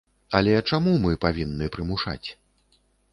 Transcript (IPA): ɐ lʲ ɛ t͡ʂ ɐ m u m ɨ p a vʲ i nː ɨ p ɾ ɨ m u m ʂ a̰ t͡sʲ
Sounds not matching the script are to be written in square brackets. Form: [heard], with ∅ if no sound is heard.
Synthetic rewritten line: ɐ lʲ ɛ t͡ʂ [a] m u m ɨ p a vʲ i nː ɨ p ɾ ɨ m u [∅] ʂ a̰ t͡sʲ